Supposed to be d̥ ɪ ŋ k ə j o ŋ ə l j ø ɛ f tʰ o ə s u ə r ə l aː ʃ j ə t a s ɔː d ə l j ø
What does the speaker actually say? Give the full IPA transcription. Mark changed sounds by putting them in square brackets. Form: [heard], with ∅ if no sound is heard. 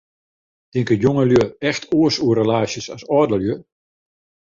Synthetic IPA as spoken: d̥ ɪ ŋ k ə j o ŋ ə l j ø ɛ [x] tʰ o ə s u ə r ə l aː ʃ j ə [s] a s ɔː d ə l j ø